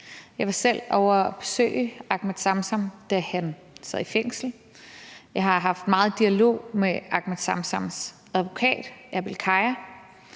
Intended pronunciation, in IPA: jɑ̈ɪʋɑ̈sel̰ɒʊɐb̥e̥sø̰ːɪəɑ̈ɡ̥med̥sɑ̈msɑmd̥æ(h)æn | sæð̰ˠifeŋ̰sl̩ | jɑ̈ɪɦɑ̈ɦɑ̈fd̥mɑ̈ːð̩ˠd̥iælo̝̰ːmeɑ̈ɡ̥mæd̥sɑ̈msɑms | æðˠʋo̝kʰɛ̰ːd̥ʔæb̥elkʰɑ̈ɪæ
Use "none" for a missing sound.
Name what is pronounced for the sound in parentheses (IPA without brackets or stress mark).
h